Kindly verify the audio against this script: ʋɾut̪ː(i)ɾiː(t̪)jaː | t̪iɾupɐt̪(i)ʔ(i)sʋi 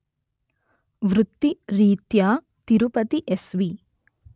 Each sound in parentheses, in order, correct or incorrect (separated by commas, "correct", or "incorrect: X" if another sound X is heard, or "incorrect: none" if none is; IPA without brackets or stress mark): correct, correct, correct, incorrect: e